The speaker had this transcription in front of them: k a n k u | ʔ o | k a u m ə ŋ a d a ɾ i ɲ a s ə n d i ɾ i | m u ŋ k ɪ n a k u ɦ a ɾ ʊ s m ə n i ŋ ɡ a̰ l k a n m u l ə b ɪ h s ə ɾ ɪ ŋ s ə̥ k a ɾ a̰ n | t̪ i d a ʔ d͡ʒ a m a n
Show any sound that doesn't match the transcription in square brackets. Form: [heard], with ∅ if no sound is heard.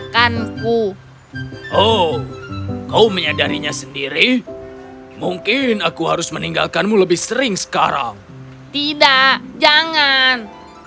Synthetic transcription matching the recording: k a n k u | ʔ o | k a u m ə [ɲ] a d a ɾ i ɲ a s ə n d i ɾ i | m u ŋ k ɪ n a k u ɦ a ɾ ʊ s m ə n i ŋ ɡ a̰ l k a n m u l ə b ɪ h s ə ɾ ɪ ŋ s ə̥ k a ɾ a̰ [ŋ] | t̪ i d a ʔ d͡ʒ a [ŋ] a n